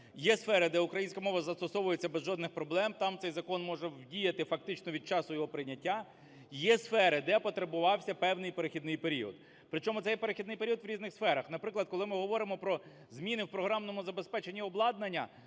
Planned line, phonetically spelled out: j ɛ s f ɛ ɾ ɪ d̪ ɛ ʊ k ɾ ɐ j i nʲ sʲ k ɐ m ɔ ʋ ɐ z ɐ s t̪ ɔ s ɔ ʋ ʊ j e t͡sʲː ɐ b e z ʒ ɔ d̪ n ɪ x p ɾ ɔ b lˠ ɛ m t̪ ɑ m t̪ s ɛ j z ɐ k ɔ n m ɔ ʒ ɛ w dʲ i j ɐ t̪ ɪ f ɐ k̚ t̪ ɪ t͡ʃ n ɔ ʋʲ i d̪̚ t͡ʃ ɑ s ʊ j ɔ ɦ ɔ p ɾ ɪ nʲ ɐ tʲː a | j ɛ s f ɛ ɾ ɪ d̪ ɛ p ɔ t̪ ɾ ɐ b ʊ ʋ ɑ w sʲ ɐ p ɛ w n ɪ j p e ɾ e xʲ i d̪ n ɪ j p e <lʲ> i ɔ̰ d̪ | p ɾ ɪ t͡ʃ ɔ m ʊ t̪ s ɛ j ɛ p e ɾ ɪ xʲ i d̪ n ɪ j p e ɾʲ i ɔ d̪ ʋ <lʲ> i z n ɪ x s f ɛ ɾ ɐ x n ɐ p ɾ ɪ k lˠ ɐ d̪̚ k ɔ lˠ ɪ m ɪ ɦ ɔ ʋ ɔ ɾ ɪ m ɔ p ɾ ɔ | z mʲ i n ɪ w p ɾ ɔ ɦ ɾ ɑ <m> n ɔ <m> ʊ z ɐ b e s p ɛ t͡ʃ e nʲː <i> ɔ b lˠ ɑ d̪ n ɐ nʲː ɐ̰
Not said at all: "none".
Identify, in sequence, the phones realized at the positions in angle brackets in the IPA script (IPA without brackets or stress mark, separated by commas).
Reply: ɾʲ, ɾʲ, m, m, i